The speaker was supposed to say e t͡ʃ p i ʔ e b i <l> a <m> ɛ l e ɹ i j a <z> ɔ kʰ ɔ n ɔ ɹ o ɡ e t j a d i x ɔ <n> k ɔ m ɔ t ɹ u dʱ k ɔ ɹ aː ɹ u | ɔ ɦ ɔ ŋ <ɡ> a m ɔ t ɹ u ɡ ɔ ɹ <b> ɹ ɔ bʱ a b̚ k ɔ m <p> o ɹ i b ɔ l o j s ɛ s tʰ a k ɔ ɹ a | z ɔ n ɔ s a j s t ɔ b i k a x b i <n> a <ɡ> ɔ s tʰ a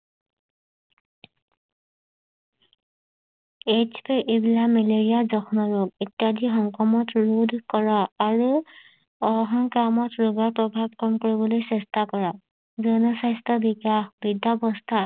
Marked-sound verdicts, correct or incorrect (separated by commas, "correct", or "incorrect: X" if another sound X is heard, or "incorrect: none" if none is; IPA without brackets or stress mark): correct, correct, correct, incorrect: ŋ, incorrect: k, incorrect: p, incorrect: k, incorrect: d, incorrect: b